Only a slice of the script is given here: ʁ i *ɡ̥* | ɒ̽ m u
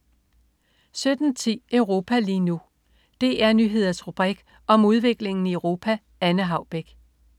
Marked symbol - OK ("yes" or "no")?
yes